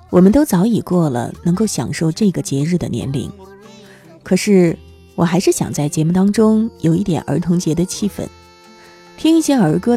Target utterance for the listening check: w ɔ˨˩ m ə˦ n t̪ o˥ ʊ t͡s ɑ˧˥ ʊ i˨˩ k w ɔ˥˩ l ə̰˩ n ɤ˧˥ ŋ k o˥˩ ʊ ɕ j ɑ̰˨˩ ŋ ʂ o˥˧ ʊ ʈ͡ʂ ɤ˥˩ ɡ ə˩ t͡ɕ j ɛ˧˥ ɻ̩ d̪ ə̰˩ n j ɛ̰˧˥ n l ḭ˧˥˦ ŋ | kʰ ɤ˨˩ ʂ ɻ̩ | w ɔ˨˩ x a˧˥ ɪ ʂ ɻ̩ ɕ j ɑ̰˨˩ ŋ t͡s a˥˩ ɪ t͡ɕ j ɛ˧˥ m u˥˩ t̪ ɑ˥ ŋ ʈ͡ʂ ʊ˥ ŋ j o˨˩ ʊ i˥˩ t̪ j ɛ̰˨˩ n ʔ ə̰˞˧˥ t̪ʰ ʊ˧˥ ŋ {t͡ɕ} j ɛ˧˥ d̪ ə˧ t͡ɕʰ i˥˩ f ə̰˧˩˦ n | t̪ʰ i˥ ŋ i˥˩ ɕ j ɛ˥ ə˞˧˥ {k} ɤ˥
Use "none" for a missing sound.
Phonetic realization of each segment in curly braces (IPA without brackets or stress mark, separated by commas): t͡ɕ, k